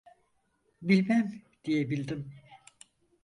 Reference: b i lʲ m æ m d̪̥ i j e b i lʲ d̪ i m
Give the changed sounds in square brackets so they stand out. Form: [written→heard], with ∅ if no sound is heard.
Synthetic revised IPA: b i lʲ m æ m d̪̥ i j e b i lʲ d̪ i m